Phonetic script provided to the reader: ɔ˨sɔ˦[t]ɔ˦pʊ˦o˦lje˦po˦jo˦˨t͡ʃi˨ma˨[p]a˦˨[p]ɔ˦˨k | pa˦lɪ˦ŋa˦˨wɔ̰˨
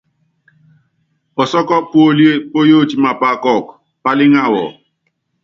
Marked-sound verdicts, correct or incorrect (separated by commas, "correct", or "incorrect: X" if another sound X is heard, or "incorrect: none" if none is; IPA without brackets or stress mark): incorrect: k, correct, incorrect: k